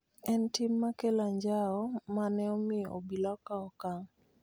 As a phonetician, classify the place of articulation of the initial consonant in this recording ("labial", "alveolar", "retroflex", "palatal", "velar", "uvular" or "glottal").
alveolar